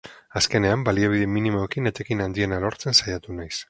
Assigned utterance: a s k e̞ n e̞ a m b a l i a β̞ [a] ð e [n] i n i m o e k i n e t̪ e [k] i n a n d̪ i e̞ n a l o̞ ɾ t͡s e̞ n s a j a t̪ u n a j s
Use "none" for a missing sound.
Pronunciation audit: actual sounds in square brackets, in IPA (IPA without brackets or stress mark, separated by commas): i, m, k